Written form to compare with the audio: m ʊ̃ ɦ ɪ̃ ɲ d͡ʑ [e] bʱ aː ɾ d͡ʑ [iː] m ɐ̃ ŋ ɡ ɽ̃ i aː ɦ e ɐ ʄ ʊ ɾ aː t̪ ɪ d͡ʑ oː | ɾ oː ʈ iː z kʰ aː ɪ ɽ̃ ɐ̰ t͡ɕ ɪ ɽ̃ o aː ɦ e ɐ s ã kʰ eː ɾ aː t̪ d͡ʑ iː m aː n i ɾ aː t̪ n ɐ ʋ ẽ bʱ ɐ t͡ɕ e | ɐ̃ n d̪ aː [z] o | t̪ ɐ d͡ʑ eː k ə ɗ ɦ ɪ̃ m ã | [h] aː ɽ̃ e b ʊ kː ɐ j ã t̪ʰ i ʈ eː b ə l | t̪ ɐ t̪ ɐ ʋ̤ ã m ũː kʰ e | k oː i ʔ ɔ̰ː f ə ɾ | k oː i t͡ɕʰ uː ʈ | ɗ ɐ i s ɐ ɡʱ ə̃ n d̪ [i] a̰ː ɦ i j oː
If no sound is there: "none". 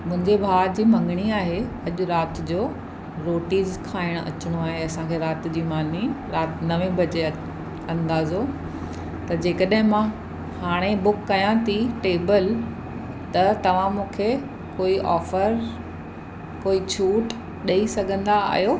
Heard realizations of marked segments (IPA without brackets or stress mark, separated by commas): e, iː, z, h, a